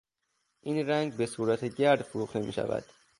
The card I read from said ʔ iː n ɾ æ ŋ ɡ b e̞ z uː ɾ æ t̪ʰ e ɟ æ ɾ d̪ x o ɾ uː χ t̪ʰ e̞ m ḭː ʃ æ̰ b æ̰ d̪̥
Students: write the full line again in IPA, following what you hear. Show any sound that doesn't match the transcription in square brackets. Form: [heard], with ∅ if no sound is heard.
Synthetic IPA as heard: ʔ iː n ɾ æ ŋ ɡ b e̞ [s] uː ɾ æ t̪ʰ e ɟ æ ɾ d̪ [f] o ɾ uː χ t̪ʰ e̞ m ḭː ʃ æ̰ [v] æ̰ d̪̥

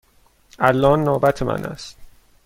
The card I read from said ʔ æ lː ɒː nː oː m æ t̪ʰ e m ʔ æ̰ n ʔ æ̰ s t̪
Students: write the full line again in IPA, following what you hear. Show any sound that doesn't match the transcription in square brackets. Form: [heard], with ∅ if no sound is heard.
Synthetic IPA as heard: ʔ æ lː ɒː nː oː [b] æ t̪ʰ e m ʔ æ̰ n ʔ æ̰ s t̪

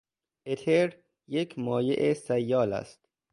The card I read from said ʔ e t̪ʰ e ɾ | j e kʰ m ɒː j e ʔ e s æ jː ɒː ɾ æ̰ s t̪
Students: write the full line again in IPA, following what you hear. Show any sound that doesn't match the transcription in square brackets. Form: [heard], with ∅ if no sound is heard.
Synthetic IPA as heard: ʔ e t̪ʰ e ɾ | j e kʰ m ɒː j e ʔ e s æ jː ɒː [l] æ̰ s t̪

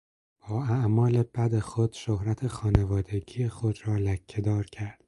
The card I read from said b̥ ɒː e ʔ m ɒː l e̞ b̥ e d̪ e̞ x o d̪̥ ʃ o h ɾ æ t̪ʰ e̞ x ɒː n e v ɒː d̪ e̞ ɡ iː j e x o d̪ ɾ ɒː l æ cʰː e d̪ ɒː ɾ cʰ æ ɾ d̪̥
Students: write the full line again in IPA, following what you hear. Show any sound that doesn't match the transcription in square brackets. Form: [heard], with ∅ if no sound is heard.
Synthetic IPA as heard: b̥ ɒː [æ] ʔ m ɒː l e̞ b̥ [æ] d̪ e̞ x o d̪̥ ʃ o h ɾ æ t̪ʰ e̞ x ɒː n e v ɒː d̪ e̞ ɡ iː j e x o d̪ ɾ ɒː l æ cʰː e d̪ ɒː ɾ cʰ æ ɾ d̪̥

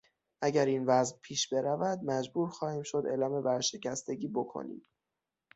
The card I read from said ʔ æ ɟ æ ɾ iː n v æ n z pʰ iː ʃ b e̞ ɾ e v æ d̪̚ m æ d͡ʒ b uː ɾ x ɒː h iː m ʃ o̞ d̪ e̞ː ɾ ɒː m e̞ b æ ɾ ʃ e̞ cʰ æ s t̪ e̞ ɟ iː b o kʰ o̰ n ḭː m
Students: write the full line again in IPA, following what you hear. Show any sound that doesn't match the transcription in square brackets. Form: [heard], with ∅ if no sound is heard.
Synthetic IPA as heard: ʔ æ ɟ æ ɾ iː n v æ [∅] z pʰ iː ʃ b e̞ ɾ [æ] v æ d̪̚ m æ d͡ʒ b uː ɾ x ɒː h iː m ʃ o̞ d̪ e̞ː [l] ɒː m e̞ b æ ɾ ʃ e̞ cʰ æ s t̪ e̞ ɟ iː b o kʰ o̰ n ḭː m

